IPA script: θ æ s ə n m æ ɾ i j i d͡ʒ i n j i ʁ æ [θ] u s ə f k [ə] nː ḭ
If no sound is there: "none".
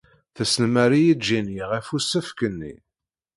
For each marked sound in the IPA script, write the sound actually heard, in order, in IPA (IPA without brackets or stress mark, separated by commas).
f, ə